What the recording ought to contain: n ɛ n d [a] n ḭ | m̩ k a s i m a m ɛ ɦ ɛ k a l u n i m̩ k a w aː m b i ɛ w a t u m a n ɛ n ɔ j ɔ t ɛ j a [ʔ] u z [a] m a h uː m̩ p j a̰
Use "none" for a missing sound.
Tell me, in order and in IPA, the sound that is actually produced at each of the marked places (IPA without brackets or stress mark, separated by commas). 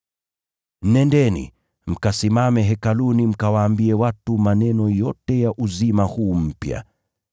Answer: ɛ, ʔ, i